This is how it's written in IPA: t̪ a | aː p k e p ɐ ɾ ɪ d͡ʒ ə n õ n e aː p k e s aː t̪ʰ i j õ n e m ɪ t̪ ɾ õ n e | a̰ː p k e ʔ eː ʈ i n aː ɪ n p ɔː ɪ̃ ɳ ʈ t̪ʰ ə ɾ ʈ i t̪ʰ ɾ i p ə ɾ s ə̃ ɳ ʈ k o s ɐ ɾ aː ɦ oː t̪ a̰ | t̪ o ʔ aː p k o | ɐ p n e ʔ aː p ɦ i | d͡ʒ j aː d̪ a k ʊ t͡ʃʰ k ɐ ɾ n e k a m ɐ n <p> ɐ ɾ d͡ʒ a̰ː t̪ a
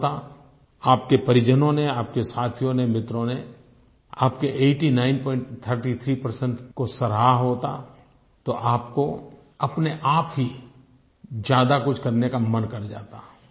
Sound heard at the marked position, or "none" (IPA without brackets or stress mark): k